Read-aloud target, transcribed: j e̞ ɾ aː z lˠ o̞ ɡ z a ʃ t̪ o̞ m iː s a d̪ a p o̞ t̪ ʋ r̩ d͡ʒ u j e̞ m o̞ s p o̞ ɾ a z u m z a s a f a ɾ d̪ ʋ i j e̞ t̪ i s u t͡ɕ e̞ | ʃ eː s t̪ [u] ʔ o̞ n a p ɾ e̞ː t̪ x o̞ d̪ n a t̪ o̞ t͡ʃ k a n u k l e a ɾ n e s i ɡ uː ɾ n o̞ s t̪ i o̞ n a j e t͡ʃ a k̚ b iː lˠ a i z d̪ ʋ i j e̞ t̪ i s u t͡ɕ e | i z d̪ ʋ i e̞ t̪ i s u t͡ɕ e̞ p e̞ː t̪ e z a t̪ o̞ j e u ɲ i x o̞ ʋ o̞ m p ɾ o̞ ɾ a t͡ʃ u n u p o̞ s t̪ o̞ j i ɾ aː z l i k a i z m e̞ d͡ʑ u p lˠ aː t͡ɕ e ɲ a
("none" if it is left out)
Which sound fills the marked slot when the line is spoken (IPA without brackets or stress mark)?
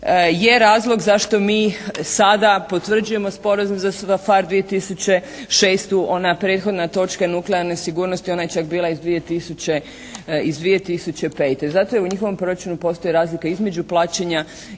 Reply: u